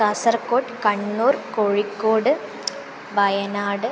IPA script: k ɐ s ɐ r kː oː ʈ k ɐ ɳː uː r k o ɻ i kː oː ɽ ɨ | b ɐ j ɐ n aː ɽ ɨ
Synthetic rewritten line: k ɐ s ɐ r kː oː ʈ k ɐ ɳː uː r k o ɻ i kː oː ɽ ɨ | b ɐ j ɐ n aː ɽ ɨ